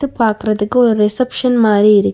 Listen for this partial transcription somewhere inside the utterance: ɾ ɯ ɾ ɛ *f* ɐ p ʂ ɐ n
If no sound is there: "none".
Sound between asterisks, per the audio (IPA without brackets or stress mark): s